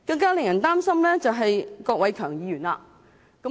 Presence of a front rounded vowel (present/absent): present